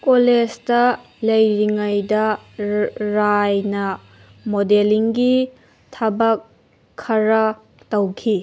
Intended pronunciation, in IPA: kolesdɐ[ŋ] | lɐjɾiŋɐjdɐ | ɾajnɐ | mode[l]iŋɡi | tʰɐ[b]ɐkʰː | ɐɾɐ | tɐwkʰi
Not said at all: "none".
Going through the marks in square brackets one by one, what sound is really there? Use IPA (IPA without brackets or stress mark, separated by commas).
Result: none, l, b